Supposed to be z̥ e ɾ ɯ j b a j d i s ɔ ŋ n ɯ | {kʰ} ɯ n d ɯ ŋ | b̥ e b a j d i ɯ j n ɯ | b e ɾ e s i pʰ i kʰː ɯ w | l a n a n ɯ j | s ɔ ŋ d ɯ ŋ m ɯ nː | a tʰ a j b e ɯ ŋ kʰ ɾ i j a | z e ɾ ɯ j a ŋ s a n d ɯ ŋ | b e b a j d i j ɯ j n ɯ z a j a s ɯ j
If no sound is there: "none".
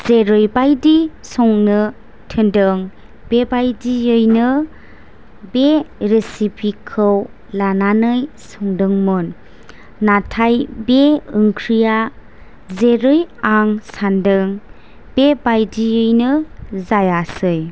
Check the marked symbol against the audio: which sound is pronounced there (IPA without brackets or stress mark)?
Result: tʰ